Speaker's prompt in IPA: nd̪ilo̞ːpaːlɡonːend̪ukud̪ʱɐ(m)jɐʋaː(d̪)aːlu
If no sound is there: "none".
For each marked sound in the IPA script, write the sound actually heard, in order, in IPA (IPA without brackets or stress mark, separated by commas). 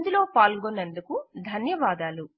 n, d̪